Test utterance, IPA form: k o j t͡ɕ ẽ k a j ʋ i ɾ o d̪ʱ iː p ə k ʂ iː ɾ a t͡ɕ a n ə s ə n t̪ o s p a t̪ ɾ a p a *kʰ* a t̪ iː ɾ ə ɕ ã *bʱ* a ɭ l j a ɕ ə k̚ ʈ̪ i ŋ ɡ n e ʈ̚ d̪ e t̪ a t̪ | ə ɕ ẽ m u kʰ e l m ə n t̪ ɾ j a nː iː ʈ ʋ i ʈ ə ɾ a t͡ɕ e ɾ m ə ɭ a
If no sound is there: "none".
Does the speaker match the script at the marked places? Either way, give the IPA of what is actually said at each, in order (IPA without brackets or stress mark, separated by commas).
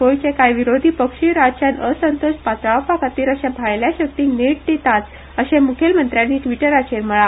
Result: k, bʱ